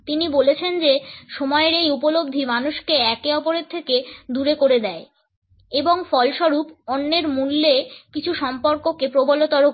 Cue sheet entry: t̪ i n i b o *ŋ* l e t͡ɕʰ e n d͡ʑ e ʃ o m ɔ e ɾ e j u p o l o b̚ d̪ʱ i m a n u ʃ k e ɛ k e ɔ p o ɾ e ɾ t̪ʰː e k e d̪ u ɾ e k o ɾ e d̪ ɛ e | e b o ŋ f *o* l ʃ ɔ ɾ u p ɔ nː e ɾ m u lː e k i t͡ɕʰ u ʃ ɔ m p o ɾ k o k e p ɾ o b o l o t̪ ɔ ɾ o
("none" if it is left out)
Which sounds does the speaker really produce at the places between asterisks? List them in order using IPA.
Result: none, ɔ

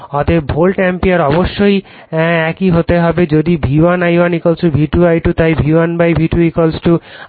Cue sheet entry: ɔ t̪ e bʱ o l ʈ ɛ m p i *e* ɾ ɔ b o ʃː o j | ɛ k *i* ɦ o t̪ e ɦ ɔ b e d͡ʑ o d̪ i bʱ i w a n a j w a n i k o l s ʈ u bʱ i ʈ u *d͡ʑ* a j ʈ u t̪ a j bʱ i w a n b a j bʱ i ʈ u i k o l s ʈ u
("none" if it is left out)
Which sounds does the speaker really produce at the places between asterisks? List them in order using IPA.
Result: a, i, none

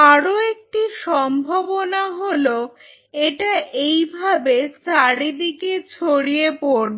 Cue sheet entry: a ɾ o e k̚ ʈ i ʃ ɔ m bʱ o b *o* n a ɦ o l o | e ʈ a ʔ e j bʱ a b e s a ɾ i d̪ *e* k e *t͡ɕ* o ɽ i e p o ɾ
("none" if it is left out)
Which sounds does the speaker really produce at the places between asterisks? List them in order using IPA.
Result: o, i, t͡ɕʰ

